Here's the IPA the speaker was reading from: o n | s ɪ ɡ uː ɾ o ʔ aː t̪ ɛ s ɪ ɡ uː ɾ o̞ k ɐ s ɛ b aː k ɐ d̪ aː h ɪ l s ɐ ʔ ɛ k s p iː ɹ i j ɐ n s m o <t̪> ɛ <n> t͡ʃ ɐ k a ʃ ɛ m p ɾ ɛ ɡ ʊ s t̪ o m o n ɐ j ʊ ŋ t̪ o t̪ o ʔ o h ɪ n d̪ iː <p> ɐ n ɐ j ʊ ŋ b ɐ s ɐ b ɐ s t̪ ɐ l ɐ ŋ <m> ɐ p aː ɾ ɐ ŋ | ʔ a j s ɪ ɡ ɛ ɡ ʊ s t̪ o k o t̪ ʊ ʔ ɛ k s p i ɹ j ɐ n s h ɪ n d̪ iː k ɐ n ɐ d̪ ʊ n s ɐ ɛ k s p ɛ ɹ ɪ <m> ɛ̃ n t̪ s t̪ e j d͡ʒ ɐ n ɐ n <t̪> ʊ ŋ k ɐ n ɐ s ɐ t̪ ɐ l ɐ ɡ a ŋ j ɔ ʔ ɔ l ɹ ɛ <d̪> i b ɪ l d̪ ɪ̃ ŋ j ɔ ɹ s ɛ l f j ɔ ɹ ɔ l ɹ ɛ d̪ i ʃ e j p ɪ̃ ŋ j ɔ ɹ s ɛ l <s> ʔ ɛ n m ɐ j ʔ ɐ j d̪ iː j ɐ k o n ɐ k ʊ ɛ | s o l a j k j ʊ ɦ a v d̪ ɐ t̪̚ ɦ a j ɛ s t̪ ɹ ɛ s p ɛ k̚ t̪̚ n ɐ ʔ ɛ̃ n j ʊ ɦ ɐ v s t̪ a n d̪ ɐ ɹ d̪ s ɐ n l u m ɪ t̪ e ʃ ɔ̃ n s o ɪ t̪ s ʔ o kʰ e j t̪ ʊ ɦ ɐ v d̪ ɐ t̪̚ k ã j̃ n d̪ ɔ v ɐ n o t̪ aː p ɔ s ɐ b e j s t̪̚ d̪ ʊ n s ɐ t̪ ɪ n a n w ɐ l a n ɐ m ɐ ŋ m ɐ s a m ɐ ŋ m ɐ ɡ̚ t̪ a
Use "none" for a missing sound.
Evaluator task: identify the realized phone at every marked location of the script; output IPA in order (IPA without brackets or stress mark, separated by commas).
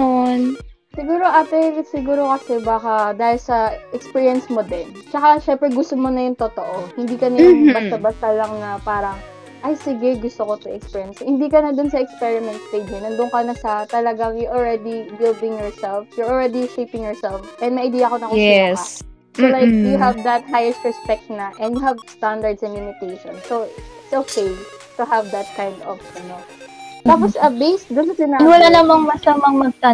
d̪, n, k, n, m, d̪, d̪, f